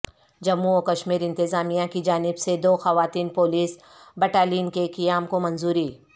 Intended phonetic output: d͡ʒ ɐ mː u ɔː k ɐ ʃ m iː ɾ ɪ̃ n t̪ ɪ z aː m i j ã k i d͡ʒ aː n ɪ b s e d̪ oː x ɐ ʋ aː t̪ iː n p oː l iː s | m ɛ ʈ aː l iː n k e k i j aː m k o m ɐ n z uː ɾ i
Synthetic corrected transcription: d͡ʒ ɐ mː u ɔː k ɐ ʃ m iː ɾ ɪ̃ n t̪ ɪ z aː m i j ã k i d͡ʒ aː n ɪ b s e d̪ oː x ɐ ʋ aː t̪ iː n p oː l iː s | b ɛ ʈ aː l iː n k e k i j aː m k o m ɐ n z uː ɾ i